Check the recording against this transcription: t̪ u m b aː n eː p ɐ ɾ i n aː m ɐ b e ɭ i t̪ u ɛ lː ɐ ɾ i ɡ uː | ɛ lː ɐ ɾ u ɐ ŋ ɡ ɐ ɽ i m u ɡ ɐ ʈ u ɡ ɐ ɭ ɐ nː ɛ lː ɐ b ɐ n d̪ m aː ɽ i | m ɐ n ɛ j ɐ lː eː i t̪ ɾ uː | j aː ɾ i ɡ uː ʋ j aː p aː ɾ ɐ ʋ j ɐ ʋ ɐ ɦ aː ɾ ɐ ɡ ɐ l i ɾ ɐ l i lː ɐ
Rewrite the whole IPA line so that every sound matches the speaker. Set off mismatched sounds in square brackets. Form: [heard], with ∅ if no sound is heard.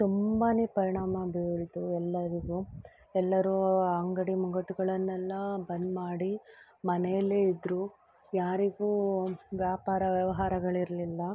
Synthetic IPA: t̪ u m b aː n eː p ɐ ɾ i [ɳ] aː m ɐ b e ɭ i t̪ u ɛ lː ɐ ɾ i ɡ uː | ɛ lː ɐ ɾ u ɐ ŋ ɡ ɐ ɽ i m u ɡ ɐ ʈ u ɡ ɐ ɭ ɐ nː ɛ lː ɐ b ɐ n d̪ m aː ɽ i | m ɐ n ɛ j ɐ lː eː i [d̪] ɾ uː | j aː ɾ i ɡ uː ʋ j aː p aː ɾ ɐ ʋ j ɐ ʋ ɐ ɦ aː ɾ ɐ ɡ ɐ [ɭ] i ɾ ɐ l i lː ɐ